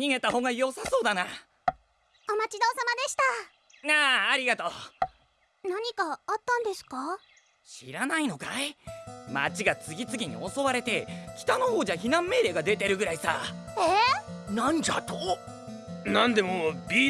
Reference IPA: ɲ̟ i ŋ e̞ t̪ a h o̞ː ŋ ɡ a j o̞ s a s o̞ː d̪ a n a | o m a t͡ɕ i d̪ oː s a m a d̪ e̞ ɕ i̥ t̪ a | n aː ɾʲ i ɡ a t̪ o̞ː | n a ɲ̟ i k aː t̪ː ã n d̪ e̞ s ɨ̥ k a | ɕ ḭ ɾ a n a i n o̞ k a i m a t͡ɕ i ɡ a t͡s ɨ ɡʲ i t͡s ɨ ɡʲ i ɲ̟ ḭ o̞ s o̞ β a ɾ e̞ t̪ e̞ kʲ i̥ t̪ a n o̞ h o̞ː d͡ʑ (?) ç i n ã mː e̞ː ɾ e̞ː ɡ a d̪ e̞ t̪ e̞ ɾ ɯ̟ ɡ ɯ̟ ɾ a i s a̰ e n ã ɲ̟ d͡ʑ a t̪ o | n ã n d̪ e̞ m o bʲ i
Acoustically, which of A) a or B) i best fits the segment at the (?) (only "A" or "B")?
A